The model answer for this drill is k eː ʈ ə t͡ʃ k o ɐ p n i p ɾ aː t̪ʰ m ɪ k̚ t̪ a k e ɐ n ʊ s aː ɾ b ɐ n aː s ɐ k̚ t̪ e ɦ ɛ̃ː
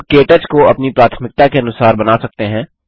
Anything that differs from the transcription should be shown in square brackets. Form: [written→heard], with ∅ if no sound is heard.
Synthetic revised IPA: k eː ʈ ə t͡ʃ k o ɐ p n i p ɾ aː t̪ʰ m ɪ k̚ t̪ a k e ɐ n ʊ s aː ɾ b ɐ n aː s ɐ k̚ t̪ e ɦ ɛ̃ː